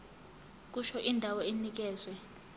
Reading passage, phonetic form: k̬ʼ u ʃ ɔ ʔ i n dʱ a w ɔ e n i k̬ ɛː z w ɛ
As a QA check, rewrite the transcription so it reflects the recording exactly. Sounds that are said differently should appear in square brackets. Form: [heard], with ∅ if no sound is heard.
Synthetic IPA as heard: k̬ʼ u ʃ ɔ ʔ i n dʱ a w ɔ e n i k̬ ɛː z w ɛ